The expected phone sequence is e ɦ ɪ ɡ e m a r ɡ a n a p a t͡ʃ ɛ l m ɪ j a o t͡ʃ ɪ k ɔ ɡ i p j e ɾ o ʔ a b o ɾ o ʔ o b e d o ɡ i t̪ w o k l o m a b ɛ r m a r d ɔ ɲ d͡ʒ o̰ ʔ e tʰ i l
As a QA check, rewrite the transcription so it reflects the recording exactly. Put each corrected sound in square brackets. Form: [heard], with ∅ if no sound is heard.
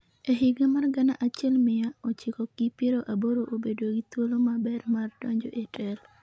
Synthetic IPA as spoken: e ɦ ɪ ɡ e m a r ɡ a n a [ʔ] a t͡ʃ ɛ l m ɪ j a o t͡ʃ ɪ k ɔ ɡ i p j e ɾ o ʔ a b o ɾ o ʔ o b e d o ɡ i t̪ w o [∅] l o m a b ɛ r m a r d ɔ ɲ d͡ʒ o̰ ʔ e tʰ [ɛ] l

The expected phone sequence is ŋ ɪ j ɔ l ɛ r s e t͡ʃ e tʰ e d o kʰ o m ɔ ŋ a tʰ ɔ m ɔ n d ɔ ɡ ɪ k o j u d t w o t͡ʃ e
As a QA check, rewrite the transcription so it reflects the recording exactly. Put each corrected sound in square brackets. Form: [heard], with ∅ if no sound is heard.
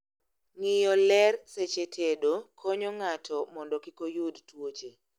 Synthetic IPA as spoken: ŋ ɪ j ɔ l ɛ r s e t͡ʃ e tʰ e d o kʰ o [ɲ] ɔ ŋ a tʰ ɔ m ɔ n d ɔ [k] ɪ k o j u d t w o t͡ʃ e

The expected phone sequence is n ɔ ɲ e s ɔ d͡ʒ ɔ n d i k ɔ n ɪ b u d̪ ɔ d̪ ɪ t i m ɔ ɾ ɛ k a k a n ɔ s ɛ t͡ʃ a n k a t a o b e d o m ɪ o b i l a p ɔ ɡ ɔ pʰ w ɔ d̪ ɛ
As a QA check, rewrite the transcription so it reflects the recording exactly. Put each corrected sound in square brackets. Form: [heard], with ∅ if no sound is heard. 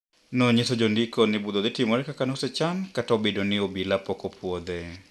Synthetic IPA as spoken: n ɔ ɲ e s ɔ d͡ʒ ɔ n d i k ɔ n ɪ b u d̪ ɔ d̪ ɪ t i m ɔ ɾ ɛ k a k a n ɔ s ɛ t͡ʃ a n k a t a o b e d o [n] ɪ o b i l a p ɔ [k] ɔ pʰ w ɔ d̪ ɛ

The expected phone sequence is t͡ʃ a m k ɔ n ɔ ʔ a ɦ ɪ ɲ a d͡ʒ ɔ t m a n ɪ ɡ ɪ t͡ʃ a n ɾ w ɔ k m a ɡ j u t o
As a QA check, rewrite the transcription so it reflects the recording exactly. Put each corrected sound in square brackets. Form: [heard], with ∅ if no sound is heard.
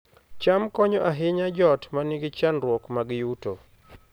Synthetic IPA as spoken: t͡ʃ a m k ɔ [ɲ] ɔ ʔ a ɦ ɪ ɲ a d͡ʒ ɔ t m a n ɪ ɡ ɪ t͡ʃ a n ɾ w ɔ k m a ɡ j u t o

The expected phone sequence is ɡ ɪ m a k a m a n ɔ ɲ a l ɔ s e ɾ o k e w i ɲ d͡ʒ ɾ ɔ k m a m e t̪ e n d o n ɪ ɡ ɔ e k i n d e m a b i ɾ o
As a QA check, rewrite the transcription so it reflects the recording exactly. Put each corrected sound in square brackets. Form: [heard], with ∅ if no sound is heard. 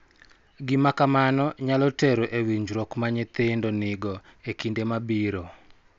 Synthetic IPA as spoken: ɡ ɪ m a k a m a n ɔ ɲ a l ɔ [t] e ɾ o [ʔ] e w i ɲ d͡ʒ ɾ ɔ k m a [ɲ] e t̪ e n d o n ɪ ɡ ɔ e k i n d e m a b i ɾ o

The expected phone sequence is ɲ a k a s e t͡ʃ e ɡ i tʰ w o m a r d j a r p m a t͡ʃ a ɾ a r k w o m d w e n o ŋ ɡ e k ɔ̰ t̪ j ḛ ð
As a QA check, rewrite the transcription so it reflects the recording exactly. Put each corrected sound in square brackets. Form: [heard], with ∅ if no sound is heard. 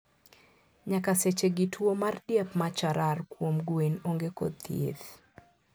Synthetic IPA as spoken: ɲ a k a s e t͡ʃ e ɡ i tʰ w o m a r d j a [∅] p m a t͡ʃ a ɾ a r k w o m [ɡ] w e n o ŋ ɡ e k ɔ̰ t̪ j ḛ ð

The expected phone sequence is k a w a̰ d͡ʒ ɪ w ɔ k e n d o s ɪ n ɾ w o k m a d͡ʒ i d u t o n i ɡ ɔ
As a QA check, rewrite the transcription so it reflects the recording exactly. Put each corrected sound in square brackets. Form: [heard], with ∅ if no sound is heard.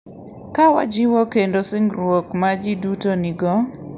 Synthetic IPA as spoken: k a w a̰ d͡ʒ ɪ w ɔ k e n d o s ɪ [ŋ] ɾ w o k m a d͡ʒ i d u t o n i ɡ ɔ

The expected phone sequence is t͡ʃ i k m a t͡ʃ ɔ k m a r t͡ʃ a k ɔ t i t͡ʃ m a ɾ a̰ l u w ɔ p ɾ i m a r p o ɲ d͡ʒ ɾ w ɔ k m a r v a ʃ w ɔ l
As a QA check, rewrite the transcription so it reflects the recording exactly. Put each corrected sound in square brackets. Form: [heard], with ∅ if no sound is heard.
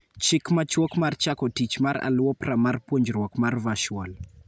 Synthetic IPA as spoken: t͡ʃ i k m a t͡ʃ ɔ k m a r t͡ʃ a k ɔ t i t͡ʃ m a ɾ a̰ l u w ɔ p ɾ [a] m a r p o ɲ d͡ʒ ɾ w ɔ k m a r v a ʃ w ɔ l

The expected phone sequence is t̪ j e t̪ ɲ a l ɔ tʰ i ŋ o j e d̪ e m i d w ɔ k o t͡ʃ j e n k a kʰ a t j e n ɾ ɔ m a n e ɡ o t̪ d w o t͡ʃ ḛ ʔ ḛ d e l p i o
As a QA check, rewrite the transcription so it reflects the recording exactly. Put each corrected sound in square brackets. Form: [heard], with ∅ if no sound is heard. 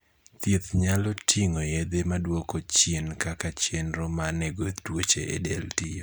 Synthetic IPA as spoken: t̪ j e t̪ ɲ a l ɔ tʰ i ŋ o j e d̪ e m [a] d w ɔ k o t͡ʃ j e n k a [k] a [t͡ʃ] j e n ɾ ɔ m a n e ɡ o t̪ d w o t͡ʃ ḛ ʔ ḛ d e l [t] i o

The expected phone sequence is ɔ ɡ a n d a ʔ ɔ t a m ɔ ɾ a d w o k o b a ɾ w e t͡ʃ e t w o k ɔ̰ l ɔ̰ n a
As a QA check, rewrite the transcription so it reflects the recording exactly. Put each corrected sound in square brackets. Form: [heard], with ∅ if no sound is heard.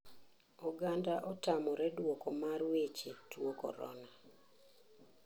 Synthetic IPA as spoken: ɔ ɡ a n d a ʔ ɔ t a m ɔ ɾ [ɛ] d w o k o [m] a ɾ w e t͡ʃ e t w o k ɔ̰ [ɾ] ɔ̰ n a

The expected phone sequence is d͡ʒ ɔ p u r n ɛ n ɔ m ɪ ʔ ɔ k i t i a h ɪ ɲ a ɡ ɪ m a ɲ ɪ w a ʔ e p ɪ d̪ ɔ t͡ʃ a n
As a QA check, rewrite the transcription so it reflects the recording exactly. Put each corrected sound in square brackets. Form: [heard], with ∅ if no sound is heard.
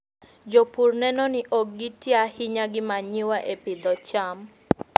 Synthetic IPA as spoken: d͡ʒ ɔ p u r n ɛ n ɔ [n] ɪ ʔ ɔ [ɡ] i t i a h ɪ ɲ a ɡ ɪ m a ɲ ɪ w a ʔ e p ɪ d̪ ɔ t͡ʃ a [m]

